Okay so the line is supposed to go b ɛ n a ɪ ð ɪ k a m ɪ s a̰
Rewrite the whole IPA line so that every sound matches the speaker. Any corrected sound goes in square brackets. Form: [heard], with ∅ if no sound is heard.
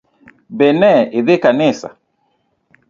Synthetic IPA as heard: b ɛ n [ɛ] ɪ ð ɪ k a [n] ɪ s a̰